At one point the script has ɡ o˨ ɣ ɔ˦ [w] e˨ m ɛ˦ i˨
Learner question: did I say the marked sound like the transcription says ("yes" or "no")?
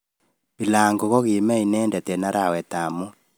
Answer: no